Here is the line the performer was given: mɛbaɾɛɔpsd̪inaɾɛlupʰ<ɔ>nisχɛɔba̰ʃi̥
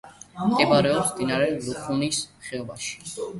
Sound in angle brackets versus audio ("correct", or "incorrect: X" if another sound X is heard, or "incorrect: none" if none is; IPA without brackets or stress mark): incorrect: u